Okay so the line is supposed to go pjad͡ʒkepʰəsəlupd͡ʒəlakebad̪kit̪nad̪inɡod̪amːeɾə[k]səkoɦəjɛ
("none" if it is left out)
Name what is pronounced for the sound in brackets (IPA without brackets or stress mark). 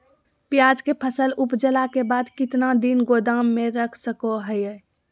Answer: kʰ